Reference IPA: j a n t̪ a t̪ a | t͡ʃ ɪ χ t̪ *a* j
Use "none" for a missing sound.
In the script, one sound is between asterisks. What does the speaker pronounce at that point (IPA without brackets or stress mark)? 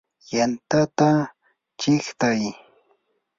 a